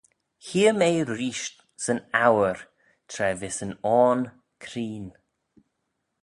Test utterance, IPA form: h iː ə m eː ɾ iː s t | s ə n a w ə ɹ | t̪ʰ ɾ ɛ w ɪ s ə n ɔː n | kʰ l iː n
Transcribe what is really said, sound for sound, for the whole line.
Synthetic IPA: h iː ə m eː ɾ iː ʃ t | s ə n a w ə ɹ | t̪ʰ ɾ ɛ v ɪ s ə n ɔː n | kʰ ɾ iː n